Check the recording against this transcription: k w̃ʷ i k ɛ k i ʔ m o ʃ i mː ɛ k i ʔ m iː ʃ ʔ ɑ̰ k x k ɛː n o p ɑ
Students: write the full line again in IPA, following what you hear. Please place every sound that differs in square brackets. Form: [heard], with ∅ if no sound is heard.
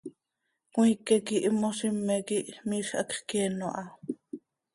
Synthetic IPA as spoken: k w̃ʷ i k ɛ k i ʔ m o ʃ i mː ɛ k i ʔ m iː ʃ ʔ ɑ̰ k [χ] k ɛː n o [ʔ] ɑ

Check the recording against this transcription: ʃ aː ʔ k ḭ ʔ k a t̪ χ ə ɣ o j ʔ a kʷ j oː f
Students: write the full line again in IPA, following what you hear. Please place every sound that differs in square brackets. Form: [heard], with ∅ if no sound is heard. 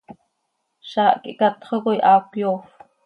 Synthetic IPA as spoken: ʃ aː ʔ k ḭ ʔ k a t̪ χ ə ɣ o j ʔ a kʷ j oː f

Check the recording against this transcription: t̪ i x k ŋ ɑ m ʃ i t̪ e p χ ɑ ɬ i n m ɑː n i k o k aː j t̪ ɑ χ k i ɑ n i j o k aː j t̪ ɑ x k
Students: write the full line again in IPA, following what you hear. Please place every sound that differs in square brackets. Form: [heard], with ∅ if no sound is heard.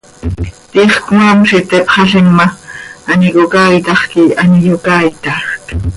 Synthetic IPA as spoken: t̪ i [χ] k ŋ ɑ m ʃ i t̪ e p χ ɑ ɬ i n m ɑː n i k o k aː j t̪ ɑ χ k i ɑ n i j o k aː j t̪ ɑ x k

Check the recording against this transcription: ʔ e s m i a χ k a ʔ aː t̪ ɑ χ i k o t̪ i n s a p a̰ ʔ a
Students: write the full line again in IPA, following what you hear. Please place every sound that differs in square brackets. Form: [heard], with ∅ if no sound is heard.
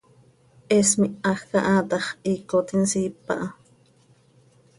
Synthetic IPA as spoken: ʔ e s m i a [x] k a ʔ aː t̪ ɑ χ i k o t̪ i n s [i] p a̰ ʔ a

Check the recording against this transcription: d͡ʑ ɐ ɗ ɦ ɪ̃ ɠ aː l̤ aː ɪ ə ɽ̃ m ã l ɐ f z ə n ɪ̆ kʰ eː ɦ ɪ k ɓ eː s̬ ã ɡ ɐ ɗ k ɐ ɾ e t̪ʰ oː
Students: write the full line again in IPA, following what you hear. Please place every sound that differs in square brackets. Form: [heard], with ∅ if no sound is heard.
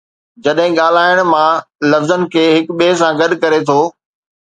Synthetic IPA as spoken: d͡ʑ ɐ ɗ ɦ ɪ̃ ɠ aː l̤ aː ɪ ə ɽ̃ m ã l ɐ f z ə n ɪ̆ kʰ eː ɦ ɪ k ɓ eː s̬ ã ɡ ɐ ɗ k ɐ ɾ e t̪ʰ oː

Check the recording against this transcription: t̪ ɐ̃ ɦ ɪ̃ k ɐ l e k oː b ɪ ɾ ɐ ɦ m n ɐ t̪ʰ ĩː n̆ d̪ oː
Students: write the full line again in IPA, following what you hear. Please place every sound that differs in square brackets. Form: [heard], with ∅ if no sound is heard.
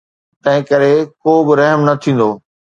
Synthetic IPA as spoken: t̪ ɐ̃ ɦ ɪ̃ k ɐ [ɾ] e k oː b ɪ ɾ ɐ ɦ m n ɐ t̪ʰ ĩː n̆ d̪ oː

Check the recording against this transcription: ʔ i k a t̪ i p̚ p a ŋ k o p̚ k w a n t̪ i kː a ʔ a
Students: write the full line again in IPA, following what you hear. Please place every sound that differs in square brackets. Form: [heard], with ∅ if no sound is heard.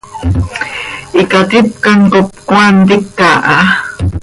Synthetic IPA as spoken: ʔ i k a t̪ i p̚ [k] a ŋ k o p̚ k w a n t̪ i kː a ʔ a

